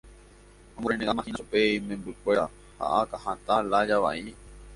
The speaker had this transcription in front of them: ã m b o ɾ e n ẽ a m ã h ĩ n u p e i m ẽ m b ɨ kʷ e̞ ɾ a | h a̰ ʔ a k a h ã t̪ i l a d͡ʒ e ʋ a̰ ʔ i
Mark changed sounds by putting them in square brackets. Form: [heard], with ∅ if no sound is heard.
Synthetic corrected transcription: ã m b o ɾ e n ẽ a m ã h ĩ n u p e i m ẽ m b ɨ kʷ e̞ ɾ a | h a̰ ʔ a k a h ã t̪ [a] l a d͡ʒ [a] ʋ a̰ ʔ i

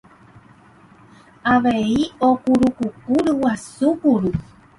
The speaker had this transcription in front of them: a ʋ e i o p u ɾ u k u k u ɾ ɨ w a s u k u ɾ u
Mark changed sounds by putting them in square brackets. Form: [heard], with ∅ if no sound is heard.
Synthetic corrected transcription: a ʋ e i o [k] u ɾ u k u k u ɾ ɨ w a s u k u ɾ u

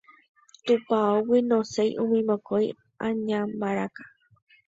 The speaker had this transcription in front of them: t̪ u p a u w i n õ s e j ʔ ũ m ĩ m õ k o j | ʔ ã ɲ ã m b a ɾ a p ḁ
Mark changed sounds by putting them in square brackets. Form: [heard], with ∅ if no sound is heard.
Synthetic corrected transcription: t̪ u p a [o] w i n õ s e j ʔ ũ m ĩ m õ k o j | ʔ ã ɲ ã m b a ɾ a [k] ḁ

